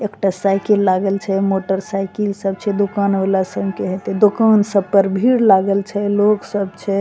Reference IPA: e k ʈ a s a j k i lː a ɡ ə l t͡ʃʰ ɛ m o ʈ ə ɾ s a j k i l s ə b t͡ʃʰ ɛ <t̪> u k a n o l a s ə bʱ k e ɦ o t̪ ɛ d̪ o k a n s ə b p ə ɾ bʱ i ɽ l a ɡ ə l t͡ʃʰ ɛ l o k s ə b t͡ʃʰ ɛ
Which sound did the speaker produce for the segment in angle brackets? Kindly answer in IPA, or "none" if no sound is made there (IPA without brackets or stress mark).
d̪